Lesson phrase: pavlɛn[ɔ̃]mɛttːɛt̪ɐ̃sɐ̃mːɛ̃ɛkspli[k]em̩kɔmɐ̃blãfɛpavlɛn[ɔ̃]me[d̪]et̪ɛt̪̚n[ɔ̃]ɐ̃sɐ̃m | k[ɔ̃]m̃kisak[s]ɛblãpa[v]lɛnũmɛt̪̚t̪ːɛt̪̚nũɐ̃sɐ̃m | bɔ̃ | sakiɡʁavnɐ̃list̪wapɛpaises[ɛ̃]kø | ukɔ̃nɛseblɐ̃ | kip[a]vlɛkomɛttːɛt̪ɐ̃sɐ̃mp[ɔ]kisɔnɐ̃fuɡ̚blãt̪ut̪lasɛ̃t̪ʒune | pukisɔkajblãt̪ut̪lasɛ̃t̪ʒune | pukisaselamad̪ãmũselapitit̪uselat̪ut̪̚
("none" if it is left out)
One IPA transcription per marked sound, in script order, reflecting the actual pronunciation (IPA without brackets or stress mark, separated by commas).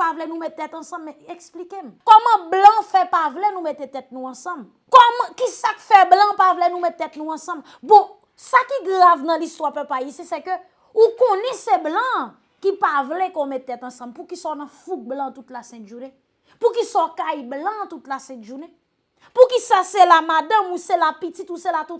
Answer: ũ, k, ũ, t̪, ũ, ɔ, f, v, ɛ, a, u